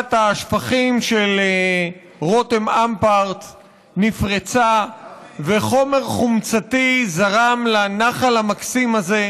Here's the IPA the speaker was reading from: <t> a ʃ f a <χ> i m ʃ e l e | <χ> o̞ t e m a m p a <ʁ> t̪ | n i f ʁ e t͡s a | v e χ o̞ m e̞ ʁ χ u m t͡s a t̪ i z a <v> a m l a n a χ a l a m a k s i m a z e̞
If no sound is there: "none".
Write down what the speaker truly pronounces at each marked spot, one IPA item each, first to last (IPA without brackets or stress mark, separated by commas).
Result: t, χ, ʁ, ʁ, ʁ